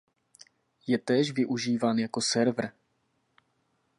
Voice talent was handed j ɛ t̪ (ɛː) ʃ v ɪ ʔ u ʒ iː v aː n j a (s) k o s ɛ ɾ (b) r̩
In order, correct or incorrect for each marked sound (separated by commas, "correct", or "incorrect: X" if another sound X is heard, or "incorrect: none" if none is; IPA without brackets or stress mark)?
correct, incorrect: none, incorrect: v